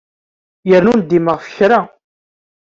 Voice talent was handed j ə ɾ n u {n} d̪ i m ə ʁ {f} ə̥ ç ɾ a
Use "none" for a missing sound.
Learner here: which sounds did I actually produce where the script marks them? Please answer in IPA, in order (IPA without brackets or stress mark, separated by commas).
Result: n, f